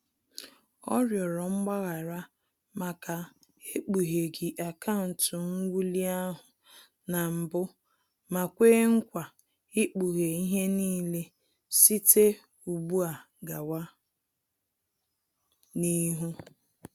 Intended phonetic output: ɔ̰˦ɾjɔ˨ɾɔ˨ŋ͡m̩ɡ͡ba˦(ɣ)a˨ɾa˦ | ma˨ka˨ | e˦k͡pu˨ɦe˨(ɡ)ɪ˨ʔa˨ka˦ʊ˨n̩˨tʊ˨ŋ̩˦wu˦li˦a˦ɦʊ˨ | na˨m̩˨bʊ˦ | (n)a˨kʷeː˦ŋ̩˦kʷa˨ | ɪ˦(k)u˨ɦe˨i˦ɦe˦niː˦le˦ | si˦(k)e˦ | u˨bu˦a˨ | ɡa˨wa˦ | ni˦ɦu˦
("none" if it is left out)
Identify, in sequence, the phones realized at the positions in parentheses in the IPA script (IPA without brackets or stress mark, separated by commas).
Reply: ɣ, ɡ, m, k͡p, t